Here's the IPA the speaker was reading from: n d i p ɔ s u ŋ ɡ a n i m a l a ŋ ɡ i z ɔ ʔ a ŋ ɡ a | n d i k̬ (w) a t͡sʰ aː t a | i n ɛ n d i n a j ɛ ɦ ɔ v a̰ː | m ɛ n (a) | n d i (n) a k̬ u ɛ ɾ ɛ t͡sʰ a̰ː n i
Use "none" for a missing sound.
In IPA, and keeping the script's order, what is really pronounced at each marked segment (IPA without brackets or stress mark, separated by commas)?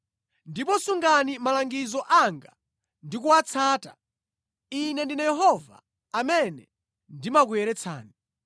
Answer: u, ɛ, m